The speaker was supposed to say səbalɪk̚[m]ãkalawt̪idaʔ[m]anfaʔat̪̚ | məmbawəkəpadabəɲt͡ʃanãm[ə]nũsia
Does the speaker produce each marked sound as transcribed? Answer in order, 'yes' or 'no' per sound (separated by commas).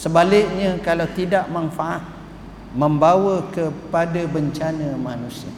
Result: no, yes, no